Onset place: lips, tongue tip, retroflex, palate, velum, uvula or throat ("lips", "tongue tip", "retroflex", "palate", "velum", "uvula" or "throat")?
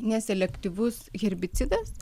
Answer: tongue tip